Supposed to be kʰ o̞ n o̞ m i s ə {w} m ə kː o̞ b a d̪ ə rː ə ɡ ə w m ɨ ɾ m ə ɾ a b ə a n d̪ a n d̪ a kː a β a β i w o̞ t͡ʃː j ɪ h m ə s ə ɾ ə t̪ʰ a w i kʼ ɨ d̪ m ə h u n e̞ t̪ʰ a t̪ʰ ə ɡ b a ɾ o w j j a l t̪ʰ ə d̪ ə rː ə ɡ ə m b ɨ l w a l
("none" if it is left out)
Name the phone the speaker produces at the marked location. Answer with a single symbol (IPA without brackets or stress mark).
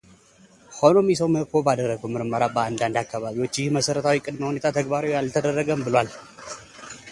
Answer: w